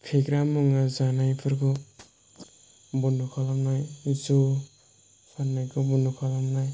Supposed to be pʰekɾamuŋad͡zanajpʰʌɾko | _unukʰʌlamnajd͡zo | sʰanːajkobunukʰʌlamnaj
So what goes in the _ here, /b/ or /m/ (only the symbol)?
b